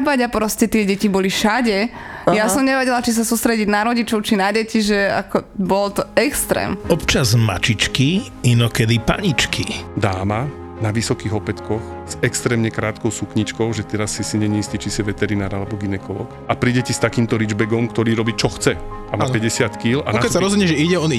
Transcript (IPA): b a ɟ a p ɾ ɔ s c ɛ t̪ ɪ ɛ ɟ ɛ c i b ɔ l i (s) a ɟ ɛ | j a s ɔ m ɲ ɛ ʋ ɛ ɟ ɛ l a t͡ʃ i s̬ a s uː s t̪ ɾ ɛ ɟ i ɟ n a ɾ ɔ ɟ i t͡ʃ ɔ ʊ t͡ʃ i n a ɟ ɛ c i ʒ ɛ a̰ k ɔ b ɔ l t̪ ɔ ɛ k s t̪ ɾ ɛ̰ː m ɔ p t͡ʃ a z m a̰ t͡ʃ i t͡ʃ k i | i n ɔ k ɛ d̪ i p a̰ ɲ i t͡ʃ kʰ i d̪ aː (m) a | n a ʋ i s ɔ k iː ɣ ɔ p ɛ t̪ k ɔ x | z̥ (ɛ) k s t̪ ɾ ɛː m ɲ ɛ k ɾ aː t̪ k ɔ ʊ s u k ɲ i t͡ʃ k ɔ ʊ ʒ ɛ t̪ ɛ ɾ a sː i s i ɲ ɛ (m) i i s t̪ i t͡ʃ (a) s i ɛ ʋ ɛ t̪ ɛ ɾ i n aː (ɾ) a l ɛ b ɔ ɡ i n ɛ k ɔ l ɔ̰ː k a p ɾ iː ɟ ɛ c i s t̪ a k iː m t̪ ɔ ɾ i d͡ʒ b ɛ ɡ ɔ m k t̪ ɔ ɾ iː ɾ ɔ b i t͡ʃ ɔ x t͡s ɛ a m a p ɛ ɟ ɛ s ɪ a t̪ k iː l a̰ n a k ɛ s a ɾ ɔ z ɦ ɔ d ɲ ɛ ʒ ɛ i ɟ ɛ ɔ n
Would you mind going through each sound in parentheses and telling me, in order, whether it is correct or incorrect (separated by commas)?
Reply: incorrect, correct, correct, incorrect, incorrect, correct